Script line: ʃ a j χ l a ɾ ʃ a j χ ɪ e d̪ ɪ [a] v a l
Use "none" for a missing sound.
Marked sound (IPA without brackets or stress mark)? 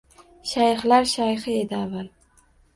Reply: a